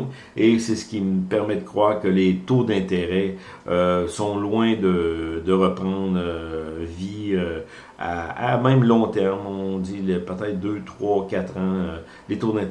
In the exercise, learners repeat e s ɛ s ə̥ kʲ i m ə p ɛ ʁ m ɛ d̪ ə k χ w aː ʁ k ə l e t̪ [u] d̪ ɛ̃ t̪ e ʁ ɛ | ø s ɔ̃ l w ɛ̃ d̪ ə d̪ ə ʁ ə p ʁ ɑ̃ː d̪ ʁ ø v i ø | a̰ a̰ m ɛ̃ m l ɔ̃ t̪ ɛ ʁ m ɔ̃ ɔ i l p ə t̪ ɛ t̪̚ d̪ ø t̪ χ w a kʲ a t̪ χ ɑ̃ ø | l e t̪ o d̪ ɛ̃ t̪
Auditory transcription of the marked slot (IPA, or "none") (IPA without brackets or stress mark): o